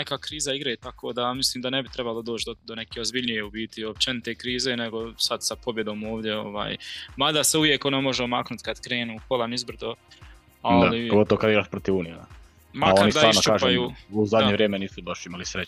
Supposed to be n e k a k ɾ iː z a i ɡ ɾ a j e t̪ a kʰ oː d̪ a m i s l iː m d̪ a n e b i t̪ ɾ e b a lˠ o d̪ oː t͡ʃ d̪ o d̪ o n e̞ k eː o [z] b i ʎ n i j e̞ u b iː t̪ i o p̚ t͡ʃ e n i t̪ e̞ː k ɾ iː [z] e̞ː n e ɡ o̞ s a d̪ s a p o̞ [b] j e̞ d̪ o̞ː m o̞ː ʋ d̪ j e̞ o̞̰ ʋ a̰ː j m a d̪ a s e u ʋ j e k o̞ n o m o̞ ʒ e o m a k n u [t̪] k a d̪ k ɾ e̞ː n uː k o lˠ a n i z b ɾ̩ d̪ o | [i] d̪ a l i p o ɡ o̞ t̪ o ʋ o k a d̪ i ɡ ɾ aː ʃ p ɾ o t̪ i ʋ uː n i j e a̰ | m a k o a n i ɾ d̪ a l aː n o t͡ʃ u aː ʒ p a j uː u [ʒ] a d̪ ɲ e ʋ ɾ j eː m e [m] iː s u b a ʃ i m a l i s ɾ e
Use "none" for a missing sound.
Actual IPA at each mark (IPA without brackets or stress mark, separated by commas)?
z, z, b, t̪, a, z, n